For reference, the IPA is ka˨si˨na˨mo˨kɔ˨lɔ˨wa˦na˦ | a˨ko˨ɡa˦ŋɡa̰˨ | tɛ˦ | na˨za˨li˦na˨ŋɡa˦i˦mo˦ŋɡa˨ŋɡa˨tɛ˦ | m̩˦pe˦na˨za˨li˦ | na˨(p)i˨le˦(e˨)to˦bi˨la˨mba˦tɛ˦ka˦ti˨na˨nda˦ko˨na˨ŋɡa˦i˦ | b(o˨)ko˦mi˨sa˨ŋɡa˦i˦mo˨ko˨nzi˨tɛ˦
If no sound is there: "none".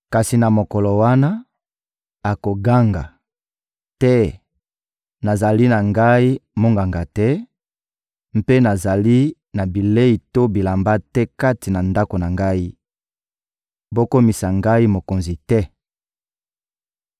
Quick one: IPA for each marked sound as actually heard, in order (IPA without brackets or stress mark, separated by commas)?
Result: b, i˨, o˦